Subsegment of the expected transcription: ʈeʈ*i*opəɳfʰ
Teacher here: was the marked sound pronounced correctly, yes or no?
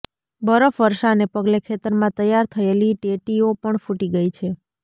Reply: yes